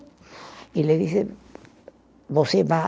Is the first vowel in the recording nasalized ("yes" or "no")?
no